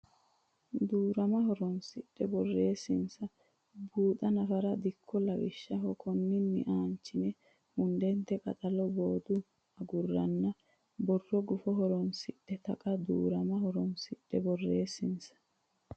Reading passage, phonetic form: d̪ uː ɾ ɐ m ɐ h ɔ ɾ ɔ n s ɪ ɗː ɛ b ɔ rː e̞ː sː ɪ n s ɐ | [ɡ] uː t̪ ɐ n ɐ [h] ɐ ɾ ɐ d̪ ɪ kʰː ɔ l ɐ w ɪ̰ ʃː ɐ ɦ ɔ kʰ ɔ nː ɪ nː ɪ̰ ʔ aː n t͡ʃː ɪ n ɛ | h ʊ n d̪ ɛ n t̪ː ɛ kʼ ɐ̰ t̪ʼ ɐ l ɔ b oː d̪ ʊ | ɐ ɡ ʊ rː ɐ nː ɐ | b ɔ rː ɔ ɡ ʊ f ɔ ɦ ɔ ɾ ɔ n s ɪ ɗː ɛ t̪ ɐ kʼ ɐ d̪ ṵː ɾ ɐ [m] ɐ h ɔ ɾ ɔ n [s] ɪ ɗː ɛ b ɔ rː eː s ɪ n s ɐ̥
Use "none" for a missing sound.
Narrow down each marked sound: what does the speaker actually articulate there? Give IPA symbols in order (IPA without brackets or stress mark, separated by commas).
b, f, m, s